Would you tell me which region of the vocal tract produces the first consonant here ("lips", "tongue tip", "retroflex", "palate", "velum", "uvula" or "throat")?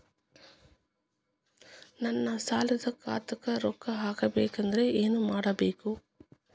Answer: tongue tip